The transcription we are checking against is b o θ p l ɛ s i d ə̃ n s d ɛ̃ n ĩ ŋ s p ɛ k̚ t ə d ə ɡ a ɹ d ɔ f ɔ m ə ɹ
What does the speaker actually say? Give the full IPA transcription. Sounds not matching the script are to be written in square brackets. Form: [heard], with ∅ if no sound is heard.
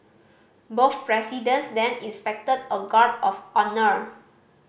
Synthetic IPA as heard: b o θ p [ɹ] ɛ s i d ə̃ n s d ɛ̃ n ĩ [n] s p ɛ k̚ t ə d ə ɡ a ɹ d ɔ f ɔ [n] ə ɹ

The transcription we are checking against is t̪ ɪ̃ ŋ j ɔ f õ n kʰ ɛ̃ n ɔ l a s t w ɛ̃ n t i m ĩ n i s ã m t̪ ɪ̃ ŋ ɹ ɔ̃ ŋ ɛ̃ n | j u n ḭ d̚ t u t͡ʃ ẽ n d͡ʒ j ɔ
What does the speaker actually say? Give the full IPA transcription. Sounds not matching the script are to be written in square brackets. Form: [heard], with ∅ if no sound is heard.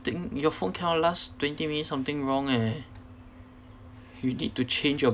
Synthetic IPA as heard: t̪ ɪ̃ ŋ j ɔ f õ n kʰ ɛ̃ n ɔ l a s t w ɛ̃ n t i m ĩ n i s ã m t̪ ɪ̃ ŋ ɹ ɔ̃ ŋ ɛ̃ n | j u n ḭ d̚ t u t͡ʃ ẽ n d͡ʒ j ɔ

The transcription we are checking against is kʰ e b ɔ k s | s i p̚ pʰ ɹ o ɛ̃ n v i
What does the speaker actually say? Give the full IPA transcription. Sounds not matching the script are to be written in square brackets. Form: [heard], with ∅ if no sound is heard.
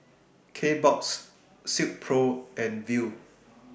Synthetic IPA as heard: kʰ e b ɔ k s | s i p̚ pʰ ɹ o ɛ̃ n v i

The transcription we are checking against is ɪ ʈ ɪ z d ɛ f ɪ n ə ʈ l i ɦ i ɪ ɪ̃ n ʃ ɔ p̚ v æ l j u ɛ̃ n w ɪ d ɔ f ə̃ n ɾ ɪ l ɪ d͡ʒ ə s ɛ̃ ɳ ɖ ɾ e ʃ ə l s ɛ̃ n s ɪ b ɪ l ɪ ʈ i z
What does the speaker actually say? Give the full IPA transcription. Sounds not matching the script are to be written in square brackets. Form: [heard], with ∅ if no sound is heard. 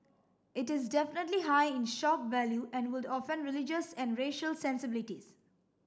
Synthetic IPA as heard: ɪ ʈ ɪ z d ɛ f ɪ n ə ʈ l i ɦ [a] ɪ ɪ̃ n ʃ ɔ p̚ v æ l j u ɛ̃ n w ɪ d ɔ f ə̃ n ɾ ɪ l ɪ d͡ʒ ə s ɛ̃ [n] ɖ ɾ e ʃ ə l s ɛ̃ n s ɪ b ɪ l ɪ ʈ i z

